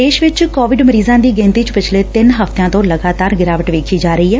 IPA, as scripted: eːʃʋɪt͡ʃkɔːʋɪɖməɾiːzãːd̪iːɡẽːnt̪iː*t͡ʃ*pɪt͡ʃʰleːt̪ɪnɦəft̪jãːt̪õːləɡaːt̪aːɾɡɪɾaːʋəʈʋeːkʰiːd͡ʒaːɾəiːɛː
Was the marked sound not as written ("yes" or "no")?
no